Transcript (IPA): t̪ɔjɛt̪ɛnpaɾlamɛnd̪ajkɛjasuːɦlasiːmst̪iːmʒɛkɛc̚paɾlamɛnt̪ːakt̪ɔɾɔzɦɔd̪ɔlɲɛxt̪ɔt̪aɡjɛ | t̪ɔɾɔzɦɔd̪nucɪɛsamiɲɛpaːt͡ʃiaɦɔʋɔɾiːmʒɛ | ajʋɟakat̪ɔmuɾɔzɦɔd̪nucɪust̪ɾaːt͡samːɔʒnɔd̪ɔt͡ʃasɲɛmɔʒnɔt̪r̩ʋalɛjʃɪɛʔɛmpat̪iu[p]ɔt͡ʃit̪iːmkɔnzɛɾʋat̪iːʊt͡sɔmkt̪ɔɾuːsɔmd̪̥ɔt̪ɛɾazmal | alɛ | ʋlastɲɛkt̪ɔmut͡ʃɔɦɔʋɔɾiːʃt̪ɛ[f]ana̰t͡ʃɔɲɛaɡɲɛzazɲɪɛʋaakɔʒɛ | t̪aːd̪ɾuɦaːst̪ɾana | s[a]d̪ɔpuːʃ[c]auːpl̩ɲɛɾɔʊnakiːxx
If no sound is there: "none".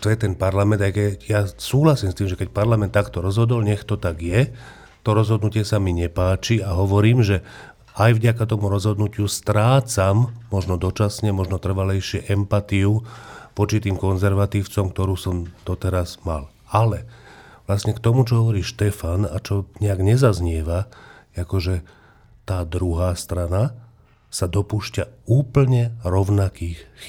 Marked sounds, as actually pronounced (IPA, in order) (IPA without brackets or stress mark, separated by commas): p, f, a, c